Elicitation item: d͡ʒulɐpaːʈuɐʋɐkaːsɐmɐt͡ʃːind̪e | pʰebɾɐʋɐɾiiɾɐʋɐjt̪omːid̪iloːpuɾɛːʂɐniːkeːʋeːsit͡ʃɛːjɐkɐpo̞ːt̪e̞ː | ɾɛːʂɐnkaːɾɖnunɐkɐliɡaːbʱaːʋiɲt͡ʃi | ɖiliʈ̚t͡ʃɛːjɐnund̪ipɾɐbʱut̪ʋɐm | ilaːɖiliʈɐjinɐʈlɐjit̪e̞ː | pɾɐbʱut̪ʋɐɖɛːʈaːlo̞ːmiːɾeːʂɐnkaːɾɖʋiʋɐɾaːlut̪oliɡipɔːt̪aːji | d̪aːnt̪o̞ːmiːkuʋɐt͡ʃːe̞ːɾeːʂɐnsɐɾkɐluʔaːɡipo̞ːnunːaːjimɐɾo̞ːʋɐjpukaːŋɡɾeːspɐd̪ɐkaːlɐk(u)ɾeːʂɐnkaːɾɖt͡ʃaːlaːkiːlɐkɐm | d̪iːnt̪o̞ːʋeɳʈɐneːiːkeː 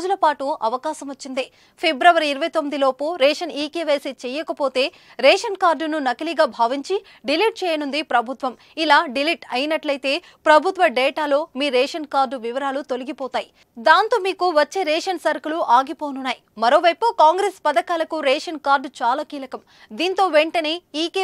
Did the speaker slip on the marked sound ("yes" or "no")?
no